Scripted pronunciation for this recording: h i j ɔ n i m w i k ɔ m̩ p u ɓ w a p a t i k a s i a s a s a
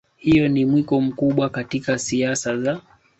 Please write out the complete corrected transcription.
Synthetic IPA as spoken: h i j ɔ n i m w i k ɔ m̩ k u ɓ w a k a t i k a s i a s a z a